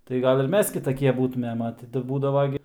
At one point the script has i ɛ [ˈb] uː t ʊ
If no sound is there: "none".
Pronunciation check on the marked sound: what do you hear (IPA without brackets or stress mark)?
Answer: b